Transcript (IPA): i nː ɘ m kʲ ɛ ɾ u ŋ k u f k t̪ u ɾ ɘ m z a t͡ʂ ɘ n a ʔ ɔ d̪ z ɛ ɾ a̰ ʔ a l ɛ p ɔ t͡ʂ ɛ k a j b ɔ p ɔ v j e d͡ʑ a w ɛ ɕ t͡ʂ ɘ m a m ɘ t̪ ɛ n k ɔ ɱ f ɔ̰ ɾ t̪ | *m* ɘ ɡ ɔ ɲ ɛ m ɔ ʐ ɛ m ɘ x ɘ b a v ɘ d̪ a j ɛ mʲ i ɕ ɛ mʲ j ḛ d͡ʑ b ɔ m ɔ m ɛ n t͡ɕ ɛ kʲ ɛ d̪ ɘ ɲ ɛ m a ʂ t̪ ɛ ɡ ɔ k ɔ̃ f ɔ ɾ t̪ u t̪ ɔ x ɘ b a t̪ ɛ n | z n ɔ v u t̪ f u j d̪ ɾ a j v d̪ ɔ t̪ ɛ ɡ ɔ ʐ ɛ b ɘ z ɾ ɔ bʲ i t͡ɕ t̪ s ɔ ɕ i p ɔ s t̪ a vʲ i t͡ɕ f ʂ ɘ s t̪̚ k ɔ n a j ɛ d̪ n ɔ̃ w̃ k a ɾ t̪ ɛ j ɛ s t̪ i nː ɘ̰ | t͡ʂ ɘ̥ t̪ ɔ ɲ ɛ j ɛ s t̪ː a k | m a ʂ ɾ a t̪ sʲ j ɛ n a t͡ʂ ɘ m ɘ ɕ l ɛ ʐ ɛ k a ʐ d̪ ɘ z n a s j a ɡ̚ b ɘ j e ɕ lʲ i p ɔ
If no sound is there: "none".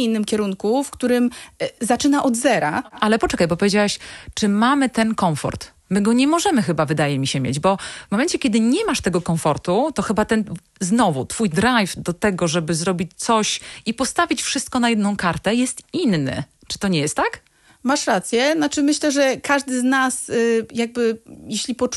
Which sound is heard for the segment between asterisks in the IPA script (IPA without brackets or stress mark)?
m